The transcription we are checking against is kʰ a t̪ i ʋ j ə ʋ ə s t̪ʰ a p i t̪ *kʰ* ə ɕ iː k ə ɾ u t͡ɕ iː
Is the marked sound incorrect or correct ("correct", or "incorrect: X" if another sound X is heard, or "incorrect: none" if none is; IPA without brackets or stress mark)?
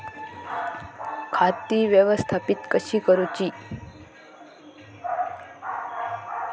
incorrect: k